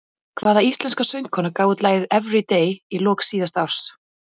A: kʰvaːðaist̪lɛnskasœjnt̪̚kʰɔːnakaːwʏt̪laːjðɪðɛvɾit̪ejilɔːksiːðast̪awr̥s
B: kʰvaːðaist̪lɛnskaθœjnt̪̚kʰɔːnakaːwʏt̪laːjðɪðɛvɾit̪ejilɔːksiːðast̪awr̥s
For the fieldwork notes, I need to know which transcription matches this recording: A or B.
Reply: A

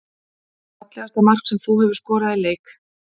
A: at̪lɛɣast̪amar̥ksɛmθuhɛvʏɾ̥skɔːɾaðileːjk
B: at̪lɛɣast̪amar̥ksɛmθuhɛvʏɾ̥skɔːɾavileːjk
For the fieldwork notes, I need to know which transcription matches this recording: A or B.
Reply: A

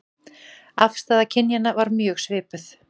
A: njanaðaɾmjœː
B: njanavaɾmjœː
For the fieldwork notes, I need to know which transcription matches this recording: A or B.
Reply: B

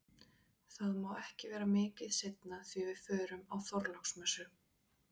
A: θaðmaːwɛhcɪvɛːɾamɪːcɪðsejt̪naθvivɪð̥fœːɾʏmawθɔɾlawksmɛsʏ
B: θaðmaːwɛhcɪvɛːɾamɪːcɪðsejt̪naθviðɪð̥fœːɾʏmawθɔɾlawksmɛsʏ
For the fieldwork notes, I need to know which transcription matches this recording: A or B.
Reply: A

